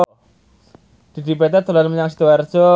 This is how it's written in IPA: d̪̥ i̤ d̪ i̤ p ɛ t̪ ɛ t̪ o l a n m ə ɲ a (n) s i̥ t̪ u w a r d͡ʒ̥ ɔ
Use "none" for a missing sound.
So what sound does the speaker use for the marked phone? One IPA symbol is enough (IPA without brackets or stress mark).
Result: ŋ